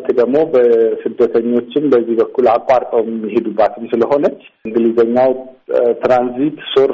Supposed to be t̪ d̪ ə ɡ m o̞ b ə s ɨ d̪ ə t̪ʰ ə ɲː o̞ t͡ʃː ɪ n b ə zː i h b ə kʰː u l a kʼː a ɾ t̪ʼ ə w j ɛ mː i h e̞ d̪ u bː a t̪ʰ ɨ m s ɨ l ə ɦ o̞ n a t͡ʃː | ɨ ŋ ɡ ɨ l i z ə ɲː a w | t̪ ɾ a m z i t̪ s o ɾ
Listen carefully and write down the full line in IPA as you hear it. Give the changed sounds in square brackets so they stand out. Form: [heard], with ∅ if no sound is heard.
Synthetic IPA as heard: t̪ d̪ ə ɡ m o̞ b ə s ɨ d̪ ə t̪ʰ ə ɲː o̞ t͡ʃː ɪ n b ə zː i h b ə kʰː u l a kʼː a ɾ t̪ʼ ə w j ɛ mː i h e̞ d̪ u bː a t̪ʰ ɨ m s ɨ l ə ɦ o̞ n [ə] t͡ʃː | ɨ ŋ ɡ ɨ l i z ə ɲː a w | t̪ ɾ a [n] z i t̪ s o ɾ